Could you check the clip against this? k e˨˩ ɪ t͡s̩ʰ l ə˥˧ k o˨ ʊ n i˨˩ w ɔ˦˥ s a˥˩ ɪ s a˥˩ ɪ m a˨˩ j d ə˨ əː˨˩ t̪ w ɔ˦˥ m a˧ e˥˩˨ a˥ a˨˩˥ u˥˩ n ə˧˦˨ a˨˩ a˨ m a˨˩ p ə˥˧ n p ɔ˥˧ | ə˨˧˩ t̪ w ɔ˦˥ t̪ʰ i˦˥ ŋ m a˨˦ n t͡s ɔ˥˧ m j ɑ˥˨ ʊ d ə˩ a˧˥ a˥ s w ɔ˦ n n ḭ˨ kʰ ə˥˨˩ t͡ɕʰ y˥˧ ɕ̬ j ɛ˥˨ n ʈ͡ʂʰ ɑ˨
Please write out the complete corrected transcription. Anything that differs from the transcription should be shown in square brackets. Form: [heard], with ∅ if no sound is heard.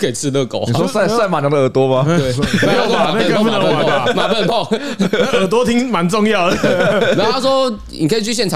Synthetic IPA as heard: k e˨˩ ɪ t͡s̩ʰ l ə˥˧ k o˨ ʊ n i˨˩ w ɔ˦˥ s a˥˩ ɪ s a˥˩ ɪ m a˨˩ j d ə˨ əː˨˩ t̪ w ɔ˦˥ m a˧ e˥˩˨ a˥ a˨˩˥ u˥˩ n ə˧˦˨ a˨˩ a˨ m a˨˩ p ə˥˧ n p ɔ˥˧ | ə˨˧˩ t̪ w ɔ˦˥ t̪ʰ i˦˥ ŋ m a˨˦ n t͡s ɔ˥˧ [ŋ] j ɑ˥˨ ʊ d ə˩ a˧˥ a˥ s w ɔ˦ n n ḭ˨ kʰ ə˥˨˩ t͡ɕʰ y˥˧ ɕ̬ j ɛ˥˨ n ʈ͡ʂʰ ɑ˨